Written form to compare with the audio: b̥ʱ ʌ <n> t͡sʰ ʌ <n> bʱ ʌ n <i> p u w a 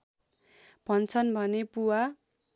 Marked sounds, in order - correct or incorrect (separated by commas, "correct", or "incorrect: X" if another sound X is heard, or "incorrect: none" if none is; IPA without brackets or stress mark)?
correct, correct, incorrect: e